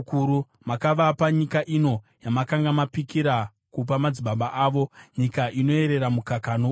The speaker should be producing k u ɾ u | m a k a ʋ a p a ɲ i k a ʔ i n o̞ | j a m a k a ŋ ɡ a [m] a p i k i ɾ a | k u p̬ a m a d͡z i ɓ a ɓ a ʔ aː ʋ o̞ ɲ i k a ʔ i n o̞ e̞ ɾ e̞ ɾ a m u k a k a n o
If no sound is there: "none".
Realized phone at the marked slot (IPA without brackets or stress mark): m